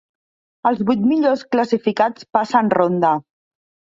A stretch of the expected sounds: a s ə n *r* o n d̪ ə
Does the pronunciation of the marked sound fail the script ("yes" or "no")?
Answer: no